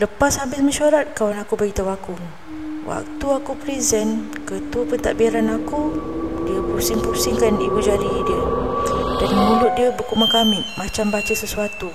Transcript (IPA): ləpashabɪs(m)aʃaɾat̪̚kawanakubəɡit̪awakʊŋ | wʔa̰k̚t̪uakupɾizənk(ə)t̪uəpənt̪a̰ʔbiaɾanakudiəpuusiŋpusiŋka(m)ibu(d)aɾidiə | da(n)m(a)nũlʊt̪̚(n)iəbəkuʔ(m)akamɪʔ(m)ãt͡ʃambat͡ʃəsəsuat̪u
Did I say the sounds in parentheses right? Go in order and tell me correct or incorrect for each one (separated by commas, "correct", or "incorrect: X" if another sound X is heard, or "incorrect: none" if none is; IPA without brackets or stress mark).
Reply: correct, correct, incorrect: n, incorrect: d͡ʒ, correct, incorrect: ə, incorrect: d, correct, correct